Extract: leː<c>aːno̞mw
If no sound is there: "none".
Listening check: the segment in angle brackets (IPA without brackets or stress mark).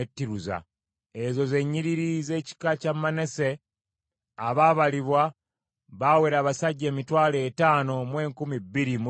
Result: t